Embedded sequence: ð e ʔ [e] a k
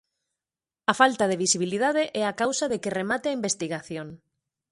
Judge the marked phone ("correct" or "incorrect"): incorrect